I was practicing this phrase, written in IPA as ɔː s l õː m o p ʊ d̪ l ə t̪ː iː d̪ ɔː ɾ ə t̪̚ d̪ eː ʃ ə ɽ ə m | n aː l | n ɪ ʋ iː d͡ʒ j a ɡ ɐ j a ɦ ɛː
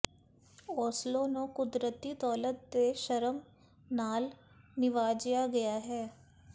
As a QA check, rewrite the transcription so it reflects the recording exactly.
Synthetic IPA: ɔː s l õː n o k ʊ d̪ ɾ ə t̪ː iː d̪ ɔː l ə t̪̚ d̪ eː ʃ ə ɾ ə m | n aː l | n ɪ ʋ aː d͡ʒ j a ɡ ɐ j a ɦ ɛː

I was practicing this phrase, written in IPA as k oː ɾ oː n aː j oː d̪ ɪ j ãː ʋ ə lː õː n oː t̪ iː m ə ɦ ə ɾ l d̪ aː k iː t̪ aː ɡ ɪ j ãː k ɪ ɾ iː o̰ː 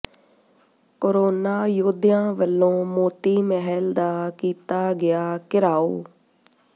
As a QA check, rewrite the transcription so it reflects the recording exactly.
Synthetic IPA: k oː ɾ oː n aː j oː d̪ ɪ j ãː ʋ ə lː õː m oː t̪ iː m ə ɦ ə l d̪ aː k iː t̪ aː ɡ ɪ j aː k ɪ ɾ aː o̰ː

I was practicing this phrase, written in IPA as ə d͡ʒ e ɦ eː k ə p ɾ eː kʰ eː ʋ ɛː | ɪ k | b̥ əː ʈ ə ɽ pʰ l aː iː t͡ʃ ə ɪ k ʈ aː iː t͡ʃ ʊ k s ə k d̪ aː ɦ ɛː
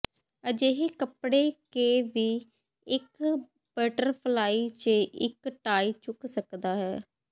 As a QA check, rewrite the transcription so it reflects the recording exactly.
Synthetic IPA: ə d͡ʒ e ɦ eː k ə p ɽ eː k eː ʋ iː | ɪ k | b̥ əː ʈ ə ɾ pʰ l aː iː t͡ʃ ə ɪ k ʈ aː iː t͡ʃ ʊ k s ə k d̪ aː ɦ ɛː

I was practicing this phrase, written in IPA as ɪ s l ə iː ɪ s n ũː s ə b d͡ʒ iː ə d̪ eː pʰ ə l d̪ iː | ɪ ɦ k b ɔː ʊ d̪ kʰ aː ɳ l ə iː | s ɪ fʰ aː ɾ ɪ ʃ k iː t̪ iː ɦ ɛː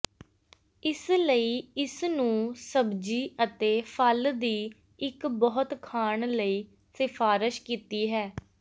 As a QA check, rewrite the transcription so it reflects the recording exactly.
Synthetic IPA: ɪ s l ə iː ɪ s n ũː s ə b d͡ʒ iː ə t̪ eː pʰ ə l d̪ iː | ɪ k b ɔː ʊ t̪ kʰ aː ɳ l ə iː | s ɪ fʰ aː ɾ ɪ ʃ k iː t̪ iː ɦ ɛː

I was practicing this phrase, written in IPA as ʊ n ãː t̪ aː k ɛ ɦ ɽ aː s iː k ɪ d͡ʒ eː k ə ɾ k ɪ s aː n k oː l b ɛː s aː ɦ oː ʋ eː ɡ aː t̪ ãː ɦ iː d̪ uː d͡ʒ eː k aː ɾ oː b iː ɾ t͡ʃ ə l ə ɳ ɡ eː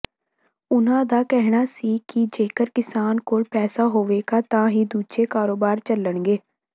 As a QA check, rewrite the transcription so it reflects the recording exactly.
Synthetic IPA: ʊ n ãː d̪ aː k ɛ ɦ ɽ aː s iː k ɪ d͡ʒ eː k ə ɾ k ɪ s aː n k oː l p ɛː s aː ɦ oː ʋ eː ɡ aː t̪ ãː ɦ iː d̪ uː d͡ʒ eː k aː ɾ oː b aː ɾ t͡ʃ ə l ə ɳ ɡ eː

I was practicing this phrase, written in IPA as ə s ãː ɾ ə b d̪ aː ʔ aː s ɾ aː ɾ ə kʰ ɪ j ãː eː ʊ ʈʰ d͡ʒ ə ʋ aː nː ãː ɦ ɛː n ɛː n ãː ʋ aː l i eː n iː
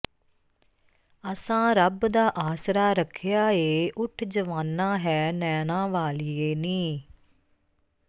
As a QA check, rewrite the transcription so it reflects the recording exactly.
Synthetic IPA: ə s ãː ɾ ə b d̪ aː ʔ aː s ɾ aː ɾ ə kʰ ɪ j aː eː ʊ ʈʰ d͡ʒ ə ʋ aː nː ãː ɦ ɛː n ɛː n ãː ʋ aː l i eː n iː

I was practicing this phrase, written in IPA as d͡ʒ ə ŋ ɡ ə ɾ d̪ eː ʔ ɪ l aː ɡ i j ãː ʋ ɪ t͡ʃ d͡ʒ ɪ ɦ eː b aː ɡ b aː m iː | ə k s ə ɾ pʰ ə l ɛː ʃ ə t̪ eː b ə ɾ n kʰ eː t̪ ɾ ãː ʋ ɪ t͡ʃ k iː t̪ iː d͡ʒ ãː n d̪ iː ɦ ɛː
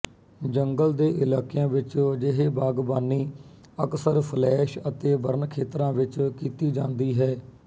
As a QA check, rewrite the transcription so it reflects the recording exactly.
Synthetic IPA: d͡ʒ ə ŋ ɡ ə l d̪ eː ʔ ɪ l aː k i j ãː ʋ ɪ t͡ʃ d͡ʒ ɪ ɦ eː b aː ɡ b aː n iː | ə k s ə ɾ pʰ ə l ɛː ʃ ə t̪ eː b ə ɾ n kʰ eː t̪ ɾ ãː ʋ ɪ t͡ʃ k iː t̪ iː d͡ʒ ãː n d̪ iː ɦ ɛː

